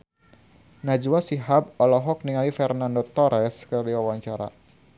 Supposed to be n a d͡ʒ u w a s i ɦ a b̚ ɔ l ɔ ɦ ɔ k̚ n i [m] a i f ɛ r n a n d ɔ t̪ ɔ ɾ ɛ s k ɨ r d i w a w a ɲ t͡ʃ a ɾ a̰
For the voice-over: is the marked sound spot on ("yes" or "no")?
no